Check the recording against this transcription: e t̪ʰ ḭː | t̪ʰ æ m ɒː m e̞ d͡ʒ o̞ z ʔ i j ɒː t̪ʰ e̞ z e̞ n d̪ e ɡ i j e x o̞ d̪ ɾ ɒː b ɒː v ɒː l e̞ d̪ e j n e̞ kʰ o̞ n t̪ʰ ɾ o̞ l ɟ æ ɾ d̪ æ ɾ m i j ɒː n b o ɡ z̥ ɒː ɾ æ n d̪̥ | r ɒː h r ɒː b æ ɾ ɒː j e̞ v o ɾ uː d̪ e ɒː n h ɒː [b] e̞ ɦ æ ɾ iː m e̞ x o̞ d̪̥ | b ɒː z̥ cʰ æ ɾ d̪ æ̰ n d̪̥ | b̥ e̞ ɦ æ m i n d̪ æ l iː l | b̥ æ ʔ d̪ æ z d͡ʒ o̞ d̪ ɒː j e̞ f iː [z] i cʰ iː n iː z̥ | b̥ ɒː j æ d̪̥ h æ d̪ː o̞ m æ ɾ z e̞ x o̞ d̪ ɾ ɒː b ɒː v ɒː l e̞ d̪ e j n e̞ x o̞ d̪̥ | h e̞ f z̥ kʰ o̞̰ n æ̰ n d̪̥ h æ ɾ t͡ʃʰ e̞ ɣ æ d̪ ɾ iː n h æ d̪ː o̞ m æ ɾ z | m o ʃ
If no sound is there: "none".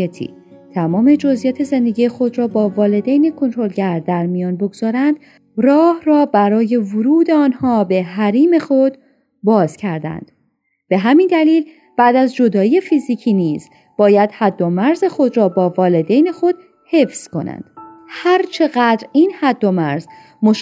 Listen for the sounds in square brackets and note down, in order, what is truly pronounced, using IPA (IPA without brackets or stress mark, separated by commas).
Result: b, z